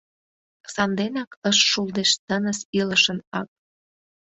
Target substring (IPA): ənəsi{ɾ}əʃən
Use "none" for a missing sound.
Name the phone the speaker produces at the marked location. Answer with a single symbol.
l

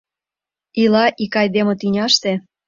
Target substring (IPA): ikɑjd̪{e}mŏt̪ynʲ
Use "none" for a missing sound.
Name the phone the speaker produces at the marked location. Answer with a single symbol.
e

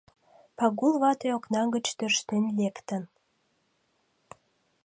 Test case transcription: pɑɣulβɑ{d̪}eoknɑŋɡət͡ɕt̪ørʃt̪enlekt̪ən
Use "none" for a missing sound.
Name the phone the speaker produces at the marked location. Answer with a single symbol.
t̪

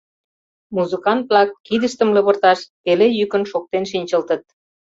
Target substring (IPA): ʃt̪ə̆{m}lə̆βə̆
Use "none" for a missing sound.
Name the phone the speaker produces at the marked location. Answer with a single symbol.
m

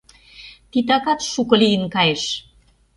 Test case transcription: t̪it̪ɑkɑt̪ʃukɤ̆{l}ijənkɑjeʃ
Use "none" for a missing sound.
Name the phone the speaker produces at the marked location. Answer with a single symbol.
l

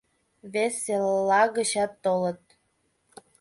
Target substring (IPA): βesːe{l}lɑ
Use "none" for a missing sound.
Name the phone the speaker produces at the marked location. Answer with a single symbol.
l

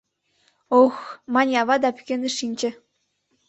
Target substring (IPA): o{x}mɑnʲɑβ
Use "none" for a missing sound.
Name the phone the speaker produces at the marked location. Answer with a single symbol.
x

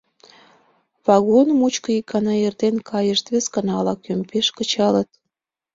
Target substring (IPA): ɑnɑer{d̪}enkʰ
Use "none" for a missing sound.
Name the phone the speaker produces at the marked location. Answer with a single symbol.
t̪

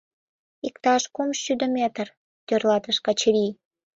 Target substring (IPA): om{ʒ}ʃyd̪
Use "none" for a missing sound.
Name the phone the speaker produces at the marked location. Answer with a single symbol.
ʃ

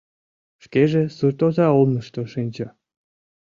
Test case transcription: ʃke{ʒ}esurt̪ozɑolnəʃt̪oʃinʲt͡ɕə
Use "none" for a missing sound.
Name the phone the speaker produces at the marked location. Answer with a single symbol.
ʒ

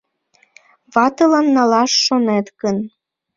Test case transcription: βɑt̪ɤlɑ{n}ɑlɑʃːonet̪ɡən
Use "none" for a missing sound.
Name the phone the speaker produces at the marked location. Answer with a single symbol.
nː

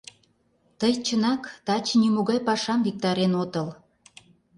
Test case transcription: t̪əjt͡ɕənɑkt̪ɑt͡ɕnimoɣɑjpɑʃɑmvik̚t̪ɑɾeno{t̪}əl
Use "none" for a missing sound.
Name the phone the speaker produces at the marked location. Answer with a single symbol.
t̪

